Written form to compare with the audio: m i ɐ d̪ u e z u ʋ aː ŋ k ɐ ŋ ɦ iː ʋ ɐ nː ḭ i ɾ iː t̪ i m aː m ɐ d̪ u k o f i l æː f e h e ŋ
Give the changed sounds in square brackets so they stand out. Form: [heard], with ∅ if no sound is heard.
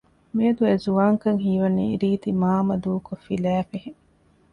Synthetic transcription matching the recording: m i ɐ d̪ u e z u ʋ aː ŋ k ɐ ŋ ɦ iː ʋ ɐ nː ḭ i ɾ iː t̪ i m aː m ɐ d̪ [uː] k o f i l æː f e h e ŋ